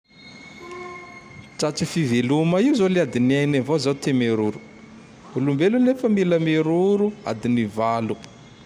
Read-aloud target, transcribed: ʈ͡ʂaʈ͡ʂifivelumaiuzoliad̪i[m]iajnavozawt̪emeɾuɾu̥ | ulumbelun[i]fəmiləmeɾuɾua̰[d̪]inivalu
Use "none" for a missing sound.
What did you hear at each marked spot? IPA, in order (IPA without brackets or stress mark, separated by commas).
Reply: n, e, d̪